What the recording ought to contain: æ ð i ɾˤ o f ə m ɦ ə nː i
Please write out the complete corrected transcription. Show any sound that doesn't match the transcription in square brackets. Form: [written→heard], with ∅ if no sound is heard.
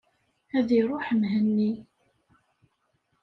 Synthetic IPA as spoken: æ ð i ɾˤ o [f→ħ] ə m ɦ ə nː i

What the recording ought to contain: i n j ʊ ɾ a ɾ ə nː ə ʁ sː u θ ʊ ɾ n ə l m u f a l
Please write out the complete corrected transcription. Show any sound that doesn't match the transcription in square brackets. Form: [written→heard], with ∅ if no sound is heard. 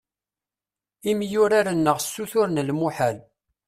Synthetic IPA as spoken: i [n→m] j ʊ ɾ a ɾ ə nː ə ʁ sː u θ ʊ ɾ n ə l m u [f→ħ] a l

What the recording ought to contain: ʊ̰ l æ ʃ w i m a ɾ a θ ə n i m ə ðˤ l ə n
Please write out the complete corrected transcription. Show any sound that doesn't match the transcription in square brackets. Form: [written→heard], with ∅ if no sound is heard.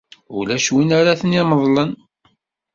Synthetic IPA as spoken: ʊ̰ l æ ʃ w i [m→n] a ɾ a θ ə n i m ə ðˤ l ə n

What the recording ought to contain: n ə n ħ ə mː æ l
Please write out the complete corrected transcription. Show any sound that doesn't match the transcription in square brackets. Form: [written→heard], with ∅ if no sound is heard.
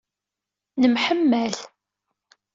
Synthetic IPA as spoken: n ə [n→m] ħ ə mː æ l

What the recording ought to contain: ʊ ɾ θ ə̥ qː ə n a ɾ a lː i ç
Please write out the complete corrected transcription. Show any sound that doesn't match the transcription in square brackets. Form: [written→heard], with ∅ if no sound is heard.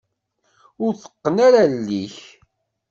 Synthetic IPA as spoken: ʊ ɾ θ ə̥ qː ə n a ɾ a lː i ç

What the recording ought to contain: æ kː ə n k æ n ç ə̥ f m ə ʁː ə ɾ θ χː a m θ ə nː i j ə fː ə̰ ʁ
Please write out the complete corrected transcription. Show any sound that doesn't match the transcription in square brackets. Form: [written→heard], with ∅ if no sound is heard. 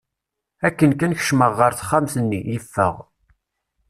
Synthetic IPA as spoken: æ kː ə n k æ n ç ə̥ [f→ʃ] m ə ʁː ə ɾ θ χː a m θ ə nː i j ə fː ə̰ ʁ

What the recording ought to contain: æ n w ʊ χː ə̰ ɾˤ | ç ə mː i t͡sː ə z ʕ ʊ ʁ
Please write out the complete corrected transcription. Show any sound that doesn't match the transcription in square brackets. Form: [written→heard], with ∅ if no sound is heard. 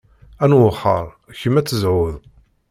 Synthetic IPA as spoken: æ n w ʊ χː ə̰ ɾˤ | ç ə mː [i→æ] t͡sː ə z ʕ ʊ [ʁ→ð]

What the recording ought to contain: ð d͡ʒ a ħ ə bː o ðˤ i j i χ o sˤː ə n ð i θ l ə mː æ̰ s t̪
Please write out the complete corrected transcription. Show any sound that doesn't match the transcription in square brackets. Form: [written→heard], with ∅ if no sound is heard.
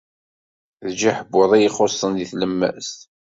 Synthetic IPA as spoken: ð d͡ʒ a ħ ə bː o ðˤ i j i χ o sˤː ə n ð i θ l ə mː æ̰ s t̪

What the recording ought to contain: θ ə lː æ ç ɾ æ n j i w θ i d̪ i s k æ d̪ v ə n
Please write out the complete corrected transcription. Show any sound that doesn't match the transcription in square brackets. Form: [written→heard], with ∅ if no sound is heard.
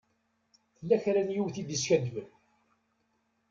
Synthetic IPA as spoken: θ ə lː æ ç ɾ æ n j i w θ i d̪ i s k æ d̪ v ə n

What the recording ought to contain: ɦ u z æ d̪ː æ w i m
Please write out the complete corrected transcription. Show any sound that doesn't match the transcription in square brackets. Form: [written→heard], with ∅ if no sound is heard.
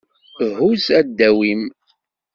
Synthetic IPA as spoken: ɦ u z æ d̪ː æ w i m

